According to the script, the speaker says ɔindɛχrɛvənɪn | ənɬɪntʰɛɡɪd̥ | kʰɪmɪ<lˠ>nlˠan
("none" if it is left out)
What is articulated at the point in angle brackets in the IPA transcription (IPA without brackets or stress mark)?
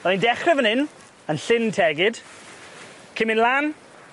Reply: none